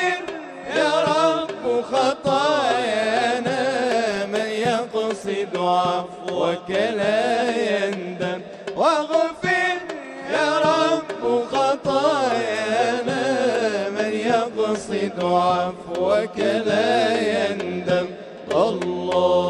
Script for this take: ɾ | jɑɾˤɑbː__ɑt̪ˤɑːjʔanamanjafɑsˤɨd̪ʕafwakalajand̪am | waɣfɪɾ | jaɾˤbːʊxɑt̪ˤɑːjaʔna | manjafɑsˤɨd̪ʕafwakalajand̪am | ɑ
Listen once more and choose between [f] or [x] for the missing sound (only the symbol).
x